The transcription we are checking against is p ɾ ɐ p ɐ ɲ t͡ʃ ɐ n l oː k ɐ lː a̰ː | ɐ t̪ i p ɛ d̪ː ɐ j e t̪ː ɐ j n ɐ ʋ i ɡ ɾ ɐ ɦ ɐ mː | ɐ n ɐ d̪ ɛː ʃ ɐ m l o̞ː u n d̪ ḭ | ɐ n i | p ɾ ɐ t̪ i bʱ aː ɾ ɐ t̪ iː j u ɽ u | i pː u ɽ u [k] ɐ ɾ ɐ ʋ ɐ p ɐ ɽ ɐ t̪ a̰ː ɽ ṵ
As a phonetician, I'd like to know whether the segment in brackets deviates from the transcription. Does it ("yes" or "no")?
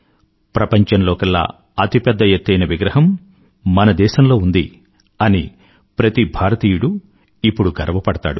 yes